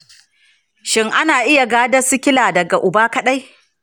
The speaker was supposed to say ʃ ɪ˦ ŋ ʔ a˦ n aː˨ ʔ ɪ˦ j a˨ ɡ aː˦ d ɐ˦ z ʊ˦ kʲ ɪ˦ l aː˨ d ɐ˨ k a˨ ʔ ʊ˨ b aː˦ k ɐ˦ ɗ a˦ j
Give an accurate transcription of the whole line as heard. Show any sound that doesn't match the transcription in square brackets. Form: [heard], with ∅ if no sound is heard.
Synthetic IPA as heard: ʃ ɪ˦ ŋ ʔ a˦ n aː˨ ʔ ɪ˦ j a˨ ɡ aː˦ d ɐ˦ [s] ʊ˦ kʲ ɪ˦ l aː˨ d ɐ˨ [ɡ] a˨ ʔ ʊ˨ b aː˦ k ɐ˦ ɗ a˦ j